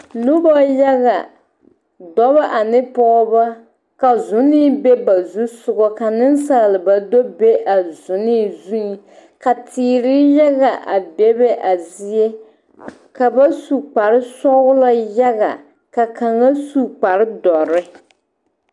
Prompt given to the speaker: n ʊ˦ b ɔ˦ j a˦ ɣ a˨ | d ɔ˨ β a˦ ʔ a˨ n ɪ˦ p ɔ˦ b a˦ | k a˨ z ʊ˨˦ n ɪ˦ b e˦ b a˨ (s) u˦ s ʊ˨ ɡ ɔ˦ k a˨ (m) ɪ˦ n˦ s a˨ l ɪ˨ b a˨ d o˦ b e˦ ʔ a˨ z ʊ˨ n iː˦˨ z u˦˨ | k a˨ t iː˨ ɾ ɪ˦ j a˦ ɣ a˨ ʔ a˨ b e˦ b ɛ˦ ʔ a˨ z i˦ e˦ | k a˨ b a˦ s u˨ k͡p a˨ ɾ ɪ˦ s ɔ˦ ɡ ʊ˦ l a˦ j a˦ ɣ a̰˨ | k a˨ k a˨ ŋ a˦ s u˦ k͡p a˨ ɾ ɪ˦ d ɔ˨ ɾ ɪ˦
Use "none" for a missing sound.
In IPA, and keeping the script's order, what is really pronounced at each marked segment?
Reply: z, n

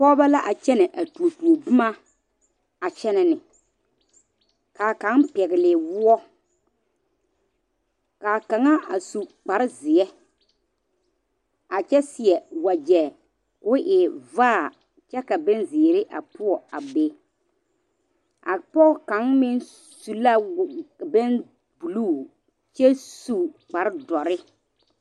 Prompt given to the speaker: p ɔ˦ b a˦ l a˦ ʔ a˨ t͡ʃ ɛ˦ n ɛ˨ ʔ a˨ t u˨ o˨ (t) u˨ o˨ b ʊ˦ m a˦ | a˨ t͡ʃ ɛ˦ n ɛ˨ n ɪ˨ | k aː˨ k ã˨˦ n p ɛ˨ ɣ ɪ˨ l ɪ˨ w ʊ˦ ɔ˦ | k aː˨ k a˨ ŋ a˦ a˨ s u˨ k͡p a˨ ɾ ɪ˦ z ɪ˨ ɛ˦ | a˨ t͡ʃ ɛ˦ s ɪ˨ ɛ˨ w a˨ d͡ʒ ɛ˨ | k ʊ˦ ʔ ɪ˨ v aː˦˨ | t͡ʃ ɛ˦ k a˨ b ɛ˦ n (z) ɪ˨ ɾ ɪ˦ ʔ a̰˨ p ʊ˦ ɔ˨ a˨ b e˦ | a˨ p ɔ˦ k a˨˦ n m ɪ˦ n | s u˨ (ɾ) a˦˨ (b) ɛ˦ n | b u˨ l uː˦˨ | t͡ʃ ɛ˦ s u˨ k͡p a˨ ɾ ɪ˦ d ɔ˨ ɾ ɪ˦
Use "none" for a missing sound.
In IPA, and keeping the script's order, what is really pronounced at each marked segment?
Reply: t, z, l, b

